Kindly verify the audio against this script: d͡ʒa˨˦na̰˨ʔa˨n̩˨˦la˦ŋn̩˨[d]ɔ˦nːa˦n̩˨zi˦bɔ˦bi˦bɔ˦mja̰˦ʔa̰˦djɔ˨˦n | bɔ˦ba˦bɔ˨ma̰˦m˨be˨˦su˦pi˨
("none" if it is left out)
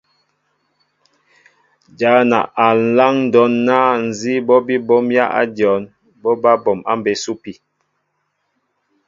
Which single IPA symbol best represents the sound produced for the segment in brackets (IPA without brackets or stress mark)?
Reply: d